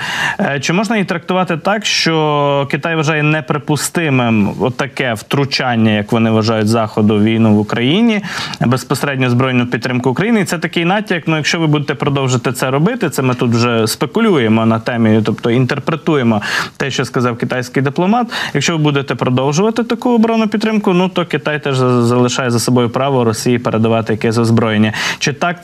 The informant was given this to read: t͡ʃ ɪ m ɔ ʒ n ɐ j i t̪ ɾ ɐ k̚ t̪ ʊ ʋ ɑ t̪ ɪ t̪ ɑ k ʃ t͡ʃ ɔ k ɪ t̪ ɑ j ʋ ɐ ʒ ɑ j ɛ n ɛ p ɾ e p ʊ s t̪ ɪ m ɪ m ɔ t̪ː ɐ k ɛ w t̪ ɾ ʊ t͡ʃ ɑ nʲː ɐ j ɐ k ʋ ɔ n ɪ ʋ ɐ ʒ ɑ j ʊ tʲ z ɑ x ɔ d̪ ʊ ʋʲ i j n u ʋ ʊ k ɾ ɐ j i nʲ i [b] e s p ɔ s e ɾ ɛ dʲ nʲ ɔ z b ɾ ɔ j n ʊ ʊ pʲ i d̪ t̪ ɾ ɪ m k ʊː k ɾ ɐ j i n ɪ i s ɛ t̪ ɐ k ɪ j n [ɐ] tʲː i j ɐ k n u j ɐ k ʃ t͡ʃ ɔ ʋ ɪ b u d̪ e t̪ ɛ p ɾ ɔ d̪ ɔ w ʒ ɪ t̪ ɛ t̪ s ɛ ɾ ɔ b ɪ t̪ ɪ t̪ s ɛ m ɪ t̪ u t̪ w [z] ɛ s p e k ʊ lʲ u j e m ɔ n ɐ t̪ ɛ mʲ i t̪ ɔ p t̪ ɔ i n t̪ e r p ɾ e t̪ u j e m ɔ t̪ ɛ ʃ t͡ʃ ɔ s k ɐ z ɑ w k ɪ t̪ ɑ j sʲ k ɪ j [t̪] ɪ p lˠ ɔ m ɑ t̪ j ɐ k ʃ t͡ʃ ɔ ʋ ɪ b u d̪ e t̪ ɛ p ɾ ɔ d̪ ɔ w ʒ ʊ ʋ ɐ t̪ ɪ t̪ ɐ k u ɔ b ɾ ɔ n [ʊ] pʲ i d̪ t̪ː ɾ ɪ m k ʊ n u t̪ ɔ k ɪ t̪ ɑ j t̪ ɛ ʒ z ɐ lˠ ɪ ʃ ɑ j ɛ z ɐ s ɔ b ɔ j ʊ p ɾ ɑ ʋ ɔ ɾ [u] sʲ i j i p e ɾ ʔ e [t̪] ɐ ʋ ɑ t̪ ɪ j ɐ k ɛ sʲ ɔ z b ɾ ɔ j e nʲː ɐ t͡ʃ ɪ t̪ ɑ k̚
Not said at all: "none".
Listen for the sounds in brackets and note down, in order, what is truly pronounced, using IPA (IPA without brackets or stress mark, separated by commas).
b, ɑ, ʒ, d̪, ʊ, ɔ, d̪